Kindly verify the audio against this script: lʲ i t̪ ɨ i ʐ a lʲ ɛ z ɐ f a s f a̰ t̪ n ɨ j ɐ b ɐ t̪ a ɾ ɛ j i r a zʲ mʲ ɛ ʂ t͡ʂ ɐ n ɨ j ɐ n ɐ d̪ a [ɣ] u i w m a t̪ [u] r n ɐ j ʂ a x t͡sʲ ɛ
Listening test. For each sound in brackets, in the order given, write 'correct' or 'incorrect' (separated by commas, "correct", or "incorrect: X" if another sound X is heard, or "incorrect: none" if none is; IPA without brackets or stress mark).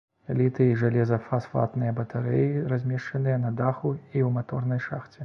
incorrect: x, incorrect: ɔ